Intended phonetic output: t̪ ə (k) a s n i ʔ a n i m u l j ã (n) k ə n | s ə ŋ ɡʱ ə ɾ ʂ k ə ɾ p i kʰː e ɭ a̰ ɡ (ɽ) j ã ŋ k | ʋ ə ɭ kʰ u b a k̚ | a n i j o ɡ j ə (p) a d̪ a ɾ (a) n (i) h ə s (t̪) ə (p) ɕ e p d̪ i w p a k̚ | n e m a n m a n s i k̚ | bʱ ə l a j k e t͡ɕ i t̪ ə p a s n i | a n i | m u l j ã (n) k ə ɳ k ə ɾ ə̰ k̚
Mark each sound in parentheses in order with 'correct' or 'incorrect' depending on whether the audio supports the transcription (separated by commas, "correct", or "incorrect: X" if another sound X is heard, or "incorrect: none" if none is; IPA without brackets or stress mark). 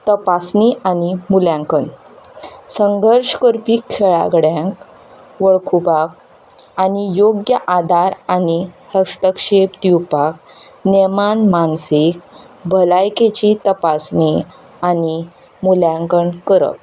incorrect: p, incorrect: ŋ, correct, incorrect: ʔ, correct, correct, correct, incorrect: k, incorrect: ŋ